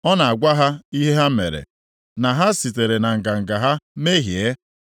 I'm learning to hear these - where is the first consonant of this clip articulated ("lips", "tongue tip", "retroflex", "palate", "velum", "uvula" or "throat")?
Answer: tongue tip